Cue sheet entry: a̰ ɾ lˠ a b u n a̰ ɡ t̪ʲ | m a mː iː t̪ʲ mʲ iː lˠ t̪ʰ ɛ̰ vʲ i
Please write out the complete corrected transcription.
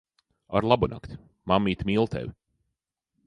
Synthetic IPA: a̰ ɾ lˠ a b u n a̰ k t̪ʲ | m a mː iː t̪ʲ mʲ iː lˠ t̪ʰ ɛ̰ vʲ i